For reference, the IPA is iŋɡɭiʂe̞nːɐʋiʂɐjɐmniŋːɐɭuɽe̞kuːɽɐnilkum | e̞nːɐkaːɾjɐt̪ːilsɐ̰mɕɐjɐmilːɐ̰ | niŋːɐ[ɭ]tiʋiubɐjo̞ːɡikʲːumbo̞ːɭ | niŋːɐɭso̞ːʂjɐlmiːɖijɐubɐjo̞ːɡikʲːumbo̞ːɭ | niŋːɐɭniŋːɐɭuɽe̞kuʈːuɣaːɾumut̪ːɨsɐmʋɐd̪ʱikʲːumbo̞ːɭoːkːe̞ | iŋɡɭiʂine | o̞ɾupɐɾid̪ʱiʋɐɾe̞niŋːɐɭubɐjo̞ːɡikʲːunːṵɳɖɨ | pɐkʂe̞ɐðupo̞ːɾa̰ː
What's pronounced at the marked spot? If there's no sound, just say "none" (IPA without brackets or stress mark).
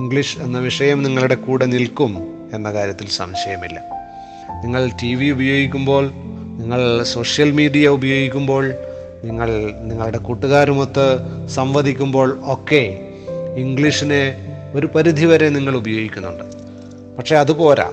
ɭ